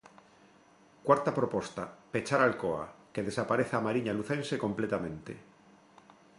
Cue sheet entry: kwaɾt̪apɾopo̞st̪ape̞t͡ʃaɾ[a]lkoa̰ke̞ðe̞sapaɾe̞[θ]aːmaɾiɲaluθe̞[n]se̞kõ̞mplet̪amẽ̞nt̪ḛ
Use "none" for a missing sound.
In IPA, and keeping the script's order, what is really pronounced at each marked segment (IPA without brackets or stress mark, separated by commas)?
a, θ, n